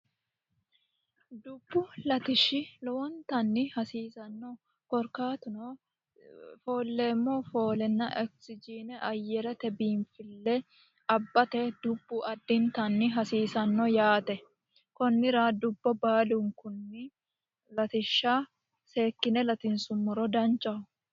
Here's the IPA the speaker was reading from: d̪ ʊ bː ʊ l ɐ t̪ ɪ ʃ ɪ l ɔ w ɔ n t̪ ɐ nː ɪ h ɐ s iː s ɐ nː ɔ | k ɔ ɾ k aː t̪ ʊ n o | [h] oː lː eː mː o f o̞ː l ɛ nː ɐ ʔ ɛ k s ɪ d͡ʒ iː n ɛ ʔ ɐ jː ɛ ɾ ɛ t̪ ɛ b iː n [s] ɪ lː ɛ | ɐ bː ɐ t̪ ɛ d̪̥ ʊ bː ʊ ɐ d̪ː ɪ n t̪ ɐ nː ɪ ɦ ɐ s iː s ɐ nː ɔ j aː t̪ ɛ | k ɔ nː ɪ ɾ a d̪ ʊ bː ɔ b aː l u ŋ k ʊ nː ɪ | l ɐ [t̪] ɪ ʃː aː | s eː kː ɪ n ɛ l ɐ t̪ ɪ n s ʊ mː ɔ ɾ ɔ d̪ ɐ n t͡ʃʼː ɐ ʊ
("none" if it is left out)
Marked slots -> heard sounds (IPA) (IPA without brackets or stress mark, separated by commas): f, f, t̪